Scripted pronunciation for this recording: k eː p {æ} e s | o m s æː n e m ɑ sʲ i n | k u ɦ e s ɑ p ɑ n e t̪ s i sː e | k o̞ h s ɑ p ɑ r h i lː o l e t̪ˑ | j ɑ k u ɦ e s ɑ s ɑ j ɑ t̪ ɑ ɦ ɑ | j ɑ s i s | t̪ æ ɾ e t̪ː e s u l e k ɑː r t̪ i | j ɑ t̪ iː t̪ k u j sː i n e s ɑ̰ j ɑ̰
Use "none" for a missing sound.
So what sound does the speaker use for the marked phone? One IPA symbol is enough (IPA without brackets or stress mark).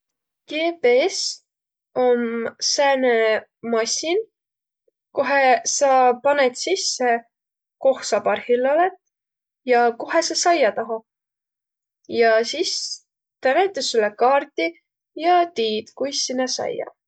e